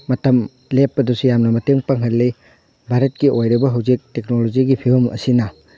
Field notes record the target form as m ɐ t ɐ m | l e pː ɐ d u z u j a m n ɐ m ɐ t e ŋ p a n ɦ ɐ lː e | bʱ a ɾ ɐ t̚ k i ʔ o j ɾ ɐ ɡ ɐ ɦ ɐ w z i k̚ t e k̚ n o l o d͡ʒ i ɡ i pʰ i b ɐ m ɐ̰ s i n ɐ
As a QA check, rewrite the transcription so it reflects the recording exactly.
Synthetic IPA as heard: m ɐ t ɐ m | l e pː ɐ d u s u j a m n ɐ m ɐ t e ŋ p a ŋ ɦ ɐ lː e | bʱ a ɾ ɐ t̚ k i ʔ o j ɾ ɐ b ɐ ɦ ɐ w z i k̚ t e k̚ n o l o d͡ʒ i ɡ i pʰ i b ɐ m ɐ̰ s i n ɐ